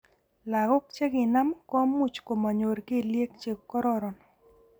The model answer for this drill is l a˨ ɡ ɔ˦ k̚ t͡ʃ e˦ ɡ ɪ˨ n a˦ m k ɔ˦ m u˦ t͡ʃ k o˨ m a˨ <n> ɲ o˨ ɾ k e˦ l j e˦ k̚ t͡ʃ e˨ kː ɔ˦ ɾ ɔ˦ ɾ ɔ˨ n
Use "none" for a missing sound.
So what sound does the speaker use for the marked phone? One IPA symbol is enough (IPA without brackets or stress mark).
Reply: none